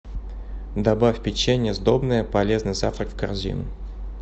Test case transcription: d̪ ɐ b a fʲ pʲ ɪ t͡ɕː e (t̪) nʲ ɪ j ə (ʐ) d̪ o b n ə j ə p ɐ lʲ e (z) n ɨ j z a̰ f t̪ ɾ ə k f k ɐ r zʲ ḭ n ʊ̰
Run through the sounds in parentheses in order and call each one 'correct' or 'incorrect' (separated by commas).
incorrect, incorrect, correct